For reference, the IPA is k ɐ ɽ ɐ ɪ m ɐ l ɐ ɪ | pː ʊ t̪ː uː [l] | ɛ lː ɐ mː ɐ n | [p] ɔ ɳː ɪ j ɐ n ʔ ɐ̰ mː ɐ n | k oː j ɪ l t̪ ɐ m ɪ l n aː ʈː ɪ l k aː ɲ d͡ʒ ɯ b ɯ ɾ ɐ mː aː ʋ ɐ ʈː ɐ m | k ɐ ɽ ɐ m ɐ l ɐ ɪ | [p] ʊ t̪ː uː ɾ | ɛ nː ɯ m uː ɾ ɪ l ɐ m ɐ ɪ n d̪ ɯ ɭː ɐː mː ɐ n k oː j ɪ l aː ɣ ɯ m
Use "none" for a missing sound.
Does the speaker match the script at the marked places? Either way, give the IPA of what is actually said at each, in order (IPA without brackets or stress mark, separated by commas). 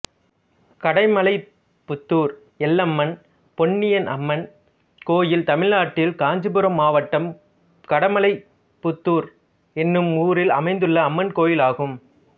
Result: ɾ, p, p